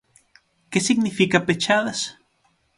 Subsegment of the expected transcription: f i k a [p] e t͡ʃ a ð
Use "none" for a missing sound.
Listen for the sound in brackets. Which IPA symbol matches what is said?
p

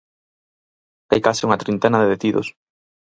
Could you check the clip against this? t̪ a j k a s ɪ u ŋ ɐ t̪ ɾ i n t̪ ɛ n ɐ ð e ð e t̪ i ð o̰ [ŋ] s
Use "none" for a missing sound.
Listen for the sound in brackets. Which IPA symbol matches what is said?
none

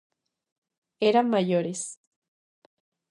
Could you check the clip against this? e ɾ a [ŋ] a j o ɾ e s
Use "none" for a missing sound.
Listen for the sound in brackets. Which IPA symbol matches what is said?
m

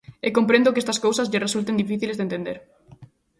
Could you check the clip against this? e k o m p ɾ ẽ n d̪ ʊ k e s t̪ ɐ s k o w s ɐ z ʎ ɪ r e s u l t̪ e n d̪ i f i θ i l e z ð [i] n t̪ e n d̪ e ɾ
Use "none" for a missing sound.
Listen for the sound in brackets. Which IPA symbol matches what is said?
e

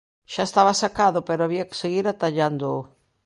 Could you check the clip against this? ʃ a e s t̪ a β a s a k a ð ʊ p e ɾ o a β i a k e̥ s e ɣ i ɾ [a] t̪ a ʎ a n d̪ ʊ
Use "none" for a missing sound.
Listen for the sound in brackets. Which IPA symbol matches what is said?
a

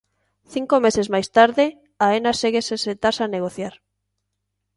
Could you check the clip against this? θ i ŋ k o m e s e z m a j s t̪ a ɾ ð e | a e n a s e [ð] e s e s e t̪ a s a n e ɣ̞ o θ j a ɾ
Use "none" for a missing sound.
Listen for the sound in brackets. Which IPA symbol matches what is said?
ɣ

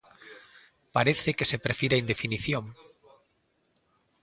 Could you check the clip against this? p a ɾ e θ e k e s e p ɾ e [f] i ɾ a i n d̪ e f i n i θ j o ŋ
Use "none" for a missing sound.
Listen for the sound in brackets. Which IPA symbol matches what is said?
f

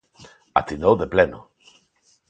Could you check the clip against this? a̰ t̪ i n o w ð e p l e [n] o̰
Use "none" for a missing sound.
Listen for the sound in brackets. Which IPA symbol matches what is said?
n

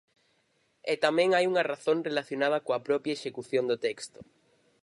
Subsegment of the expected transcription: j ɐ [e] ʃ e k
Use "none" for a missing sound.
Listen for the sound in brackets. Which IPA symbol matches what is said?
e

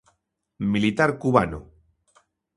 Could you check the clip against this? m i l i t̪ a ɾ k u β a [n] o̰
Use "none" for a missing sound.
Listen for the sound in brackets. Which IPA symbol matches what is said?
n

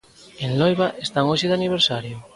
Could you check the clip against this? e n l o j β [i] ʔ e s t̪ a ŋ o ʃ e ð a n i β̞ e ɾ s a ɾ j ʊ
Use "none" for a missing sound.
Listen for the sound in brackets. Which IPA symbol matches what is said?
a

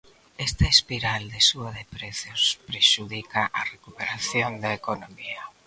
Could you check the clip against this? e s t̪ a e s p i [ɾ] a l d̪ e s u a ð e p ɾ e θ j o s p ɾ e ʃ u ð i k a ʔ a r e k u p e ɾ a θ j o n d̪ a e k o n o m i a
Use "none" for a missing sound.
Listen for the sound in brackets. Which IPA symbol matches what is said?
ɾ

